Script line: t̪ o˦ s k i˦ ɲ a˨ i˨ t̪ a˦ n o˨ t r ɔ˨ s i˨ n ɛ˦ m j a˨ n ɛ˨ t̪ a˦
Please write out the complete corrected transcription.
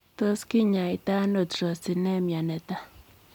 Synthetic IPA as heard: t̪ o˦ s k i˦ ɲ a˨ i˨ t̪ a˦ n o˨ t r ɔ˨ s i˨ n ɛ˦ m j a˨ n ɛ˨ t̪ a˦